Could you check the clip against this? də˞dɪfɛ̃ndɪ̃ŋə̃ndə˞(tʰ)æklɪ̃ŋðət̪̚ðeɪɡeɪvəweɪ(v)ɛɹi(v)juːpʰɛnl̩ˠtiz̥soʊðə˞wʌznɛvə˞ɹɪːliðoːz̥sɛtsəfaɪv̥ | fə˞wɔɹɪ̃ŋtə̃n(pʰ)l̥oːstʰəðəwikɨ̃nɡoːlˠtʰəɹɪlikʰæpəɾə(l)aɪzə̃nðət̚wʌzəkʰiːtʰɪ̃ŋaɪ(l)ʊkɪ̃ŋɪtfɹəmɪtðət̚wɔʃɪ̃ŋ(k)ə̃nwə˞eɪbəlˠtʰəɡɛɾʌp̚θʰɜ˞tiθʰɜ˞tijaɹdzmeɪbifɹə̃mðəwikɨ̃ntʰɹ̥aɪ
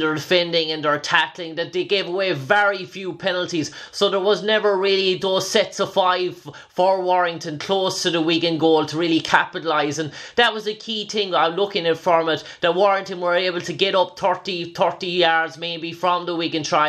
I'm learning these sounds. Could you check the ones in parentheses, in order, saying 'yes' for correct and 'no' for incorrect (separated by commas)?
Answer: yes, yes, no, no, yes, yes, no